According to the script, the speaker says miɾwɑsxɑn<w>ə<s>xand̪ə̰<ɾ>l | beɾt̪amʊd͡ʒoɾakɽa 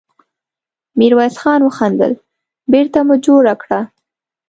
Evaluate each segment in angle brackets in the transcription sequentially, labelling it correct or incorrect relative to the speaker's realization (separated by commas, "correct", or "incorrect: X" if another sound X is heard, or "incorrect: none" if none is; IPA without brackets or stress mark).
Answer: correct, incorrect: none, incorrect: none